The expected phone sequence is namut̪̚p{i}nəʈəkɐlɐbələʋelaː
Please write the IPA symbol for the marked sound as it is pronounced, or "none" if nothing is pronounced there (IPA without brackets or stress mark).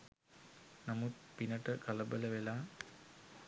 i